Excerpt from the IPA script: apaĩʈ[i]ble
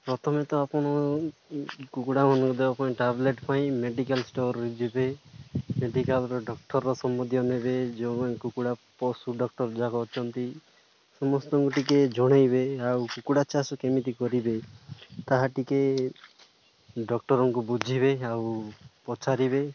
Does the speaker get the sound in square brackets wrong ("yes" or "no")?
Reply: yes